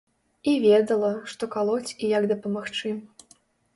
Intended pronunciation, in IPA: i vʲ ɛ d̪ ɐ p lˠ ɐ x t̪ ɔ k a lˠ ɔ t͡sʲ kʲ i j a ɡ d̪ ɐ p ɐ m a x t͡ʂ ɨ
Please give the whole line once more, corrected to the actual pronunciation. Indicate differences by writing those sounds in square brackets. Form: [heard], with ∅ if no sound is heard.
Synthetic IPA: i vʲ ɛ d̪ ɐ [∅] lˠ ɐ [ʂ] t̪ ɔ k a lˠ ɔ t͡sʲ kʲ i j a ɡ d̪ ɐ p ɐ m a x t͡ʂ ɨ